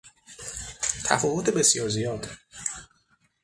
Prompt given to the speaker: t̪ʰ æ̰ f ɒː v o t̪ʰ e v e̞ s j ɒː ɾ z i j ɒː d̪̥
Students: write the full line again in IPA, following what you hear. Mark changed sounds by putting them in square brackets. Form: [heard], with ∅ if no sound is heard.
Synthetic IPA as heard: t̪ʰ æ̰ f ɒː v o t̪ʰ e [b] e̞ s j ɒː ɾ z i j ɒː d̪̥